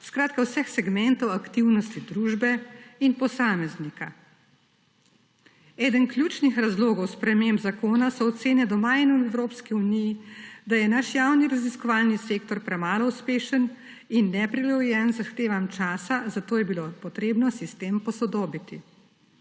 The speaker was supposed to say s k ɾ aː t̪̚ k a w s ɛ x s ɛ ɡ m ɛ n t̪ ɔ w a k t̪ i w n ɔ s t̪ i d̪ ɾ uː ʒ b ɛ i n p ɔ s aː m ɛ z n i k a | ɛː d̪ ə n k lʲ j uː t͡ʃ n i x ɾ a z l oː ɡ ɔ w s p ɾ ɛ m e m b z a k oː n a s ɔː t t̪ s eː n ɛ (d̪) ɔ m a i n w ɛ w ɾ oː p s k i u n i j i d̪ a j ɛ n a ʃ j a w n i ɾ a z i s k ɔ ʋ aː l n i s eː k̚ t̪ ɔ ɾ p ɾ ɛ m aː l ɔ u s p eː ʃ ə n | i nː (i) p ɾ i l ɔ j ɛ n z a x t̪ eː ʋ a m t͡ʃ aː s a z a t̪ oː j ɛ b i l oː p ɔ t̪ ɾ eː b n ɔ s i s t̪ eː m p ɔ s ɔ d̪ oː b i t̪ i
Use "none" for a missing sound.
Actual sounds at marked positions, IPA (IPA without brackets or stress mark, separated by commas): d̪, ɛ